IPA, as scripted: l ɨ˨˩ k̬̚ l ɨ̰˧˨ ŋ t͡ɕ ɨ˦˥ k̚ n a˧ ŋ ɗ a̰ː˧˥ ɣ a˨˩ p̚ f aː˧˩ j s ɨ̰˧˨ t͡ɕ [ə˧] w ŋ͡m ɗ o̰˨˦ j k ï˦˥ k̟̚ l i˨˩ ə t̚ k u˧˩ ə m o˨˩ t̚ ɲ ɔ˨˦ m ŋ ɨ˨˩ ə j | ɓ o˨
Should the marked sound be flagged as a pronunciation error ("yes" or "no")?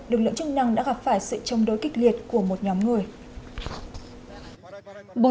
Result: no